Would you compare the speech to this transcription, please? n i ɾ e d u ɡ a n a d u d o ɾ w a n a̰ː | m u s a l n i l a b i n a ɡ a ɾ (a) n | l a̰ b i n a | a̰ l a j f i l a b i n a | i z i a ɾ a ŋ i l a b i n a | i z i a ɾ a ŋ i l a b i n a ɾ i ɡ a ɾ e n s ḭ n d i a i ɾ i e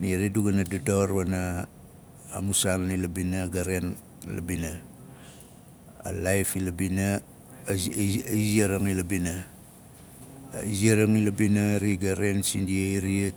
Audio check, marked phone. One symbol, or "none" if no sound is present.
e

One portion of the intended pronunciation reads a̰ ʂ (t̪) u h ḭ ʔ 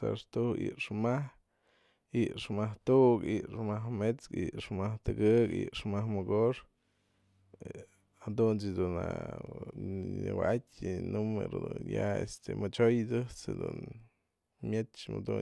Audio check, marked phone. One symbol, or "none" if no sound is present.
t̪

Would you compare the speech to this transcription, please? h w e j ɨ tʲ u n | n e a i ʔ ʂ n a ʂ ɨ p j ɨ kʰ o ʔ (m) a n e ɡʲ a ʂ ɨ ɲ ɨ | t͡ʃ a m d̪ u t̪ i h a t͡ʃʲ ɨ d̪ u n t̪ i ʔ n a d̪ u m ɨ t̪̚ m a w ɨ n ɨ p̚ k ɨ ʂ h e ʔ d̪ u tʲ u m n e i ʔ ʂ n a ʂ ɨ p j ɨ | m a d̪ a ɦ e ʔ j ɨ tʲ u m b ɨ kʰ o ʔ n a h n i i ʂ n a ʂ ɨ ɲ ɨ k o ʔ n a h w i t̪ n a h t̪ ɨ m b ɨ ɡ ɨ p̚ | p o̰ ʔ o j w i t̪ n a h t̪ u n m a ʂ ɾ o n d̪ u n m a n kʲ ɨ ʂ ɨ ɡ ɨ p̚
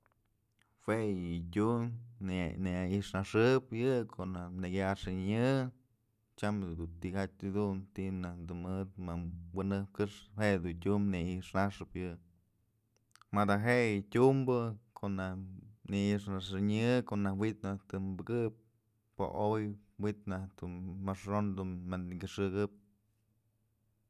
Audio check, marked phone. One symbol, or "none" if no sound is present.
n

